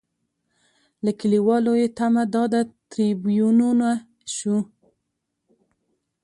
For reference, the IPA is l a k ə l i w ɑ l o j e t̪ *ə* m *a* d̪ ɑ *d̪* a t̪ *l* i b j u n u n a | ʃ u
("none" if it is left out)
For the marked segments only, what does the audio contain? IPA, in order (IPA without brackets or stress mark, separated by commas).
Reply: a, a, d̪, ɾ